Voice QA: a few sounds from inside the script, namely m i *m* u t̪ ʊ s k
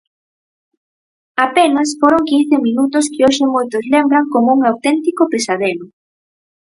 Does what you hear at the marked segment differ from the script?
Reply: yes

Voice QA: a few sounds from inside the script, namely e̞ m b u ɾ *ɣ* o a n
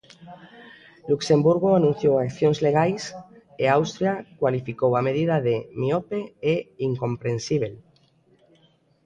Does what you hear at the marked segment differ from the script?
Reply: no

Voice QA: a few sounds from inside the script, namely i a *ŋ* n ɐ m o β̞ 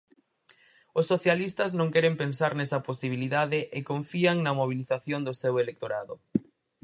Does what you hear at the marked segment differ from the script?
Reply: no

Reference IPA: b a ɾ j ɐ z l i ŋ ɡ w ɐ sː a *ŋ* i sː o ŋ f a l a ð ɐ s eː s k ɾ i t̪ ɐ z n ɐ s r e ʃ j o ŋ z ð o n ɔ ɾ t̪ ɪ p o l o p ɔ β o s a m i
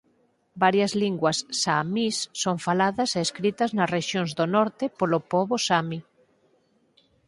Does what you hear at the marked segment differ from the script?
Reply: yes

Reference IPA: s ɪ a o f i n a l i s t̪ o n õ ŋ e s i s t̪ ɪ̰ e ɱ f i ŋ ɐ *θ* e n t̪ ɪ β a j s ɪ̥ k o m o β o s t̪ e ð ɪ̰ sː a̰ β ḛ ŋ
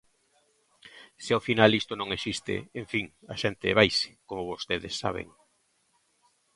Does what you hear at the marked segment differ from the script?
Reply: yes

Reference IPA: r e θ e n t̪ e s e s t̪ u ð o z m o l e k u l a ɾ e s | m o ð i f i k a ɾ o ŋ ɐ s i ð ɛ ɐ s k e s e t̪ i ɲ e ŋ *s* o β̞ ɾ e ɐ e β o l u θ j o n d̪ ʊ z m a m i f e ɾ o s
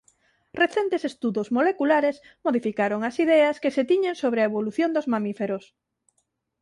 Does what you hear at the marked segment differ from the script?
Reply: no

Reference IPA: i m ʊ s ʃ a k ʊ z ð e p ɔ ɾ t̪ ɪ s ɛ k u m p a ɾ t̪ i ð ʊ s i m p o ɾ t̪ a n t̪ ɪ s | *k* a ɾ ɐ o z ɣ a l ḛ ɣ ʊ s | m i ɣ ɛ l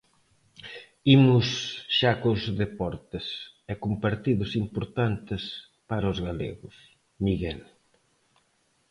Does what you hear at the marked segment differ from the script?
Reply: yes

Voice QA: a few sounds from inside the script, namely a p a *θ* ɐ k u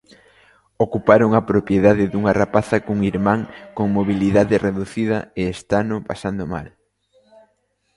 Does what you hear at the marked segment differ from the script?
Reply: no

